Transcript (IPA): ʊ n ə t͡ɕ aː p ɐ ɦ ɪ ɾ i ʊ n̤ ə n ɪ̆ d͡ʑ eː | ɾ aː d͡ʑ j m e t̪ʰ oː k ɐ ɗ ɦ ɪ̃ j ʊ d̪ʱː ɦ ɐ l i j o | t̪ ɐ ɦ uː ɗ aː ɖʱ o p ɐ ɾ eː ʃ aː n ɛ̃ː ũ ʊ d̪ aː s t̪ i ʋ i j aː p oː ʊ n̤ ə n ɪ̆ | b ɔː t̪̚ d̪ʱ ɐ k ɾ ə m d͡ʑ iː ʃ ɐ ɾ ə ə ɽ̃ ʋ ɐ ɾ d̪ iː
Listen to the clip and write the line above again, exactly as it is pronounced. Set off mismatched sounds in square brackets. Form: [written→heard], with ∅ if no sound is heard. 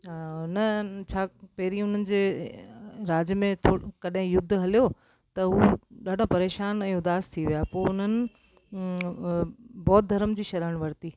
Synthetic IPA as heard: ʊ n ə [t͡ɕ→t͡ɕʰ] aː p ɐ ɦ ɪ ɾ i ʊ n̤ ə n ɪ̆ d͡ʑ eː | ɾ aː d͡ʑ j m [e→ẽ] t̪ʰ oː k ɐ ɗ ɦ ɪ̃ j ʊ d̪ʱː ɦ ɐ l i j o | t̪ ɐ ɦ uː ɗ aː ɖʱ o p ɐ ɾ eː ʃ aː n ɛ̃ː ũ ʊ d̪ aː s [t̪→t̪ʰ] i ʋ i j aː p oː ʊ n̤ ə n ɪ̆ | b ɔː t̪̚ d̪ʱ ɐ [k→∅] ɾ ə m d͡ʑ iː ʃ ɐ ɾ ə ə ɽ̃ ʋ ɐ ɾ [d̪→t̪] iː